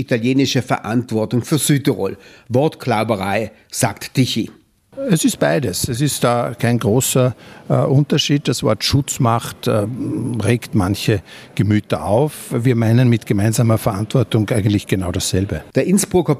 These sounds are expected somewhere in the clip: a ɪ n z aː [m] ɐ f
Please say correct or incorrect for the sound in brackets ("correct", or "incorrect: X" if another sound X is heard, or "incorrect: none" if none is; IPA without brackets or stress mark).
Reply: correct